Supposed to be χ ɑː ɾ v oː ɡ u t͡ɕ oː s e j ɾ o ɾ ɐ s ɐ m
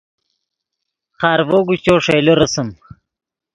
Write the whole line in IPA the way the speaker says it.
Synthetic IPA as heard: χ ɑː ɾ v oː ɡ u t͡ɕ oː ʂ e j l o ɾ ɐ s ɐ m